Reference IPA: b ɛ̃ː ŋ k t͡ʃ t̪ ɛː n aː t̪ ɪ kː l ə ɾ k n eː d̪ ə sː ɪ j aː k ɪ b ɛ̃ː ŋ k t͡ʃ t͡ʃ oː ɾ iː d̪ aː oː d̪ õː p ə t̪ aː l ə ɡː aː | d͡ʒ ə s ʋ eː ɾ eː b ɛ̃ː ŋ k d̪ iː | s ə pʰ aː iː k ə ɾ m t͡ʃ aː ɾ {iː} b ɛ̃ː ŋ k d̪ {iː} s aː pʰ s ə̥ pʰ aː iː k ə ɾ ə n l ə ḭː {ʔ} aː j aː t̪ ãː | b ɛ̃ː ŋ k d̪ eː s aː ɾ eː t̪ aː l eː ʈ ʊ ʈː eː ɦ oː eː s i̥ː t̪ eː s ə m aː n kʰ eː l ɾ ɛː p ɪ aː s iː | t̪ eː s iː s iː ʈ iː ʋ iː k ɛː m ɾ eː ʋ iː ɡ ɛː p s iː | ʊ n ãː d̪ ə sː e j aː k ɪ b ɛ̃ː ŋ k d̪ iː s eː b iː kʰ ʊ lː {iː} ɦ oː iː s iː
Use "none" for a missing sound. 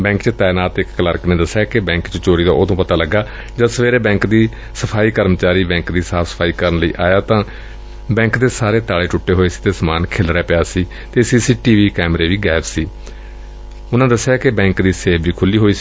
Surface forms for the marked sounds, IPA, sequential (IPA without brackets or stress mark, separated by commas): iː, iː, ʔ, iː